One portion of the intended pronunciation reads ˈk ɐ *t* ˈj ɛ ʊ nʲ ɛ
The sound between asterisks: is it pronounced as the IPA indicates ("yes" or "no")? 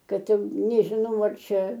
yes